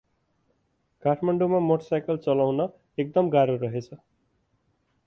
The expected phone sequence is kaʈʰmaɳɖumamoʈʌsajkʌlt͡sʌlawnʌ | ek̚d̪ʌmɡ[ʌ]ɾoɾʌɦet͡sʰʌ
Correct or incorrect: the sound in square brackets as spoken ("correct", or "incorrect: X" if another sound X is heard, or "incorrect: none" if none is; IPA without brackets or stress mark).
incorrect: a